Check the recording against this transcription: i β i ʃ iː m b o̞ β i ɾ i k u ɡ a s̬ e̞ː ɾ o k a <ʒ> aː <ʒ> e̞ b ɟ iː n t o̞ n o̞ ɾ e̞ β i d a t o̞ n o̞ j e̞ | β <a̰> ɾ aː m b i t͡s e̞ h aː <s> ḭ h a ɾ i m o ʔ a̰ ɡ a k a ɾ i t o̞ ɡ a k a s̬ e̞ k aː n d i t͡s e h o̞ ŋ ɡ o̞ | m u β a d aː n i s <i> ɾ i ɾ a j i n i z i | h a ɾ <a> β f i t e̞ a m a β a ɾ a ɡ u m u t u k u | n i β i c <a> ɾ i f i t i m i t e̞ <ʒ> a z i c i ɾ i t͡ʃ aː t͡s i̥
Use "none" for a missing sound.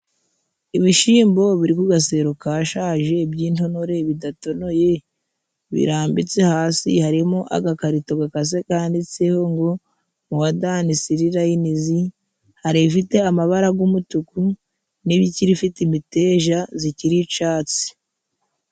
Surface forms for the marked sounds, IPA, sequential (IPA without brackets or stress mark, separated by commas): ʃ, ʒ, ḭ, s, i, i, i, ʒ